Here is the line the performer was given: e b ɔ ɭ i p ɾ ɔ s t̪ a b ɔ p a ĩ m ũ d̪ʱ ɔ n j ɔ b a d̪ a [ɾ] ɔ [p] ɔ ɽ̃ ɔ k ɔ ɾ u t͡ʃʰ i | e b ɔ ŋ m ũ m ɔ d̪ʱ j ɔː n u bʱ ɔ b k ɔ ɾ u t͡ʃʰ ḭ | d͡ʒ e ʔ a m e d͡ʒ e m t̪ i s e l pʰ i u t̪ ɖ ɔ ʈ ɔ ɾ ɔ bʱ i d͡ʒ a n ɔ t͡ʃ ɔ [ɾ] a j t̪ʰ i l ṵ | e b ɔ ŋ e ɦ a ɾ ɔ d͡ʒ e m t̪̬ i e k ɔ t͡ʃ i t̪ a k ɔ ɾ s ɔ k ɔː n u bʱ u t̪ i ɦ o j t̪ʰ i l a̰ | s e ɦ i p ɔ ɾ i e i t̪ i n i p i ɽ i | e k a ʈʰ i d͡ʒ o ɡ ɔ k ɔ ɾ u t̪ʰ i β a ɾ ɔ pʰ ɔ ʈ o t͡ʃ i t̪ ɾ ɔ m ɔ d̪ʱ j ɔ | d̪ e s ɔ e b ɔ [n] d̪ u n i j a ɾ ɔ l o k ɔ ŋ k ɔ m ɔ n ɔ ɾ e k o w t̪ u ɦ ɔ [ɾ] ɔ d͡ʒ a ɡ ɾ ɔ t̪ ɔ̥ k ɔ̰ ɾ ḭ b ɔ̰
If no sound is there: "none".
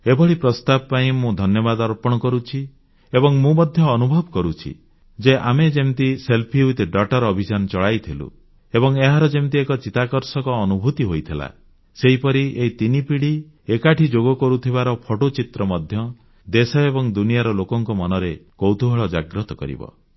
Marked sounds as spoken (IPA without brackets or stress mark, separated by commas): ɾ, p, ɭ, ŋ, ɭ